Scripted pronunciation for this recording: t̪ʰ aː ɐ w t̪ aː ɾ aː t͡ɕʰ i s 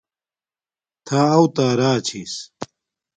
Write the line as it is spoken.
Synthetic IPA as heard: t̪ʰ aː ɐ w t̪ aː ɾ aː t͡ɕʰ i s